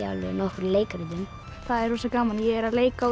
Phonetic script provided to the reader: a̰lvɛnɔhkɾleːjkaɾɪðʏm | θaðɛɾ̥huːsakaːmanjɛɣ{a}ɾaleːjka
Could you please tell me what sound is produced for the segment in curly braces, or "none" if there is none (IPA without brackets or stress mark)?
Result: ɛ